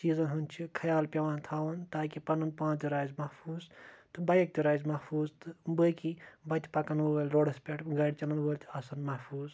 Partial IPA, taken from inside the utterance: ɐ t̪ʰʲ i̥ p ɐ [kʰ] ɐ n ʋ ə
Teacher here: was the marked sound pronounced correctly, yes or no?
no